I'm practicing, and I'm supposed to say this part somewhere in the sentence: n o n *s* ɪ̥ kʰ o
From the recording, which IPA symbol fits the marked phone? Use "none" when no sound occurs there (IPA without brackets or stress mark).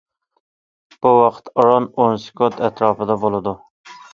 s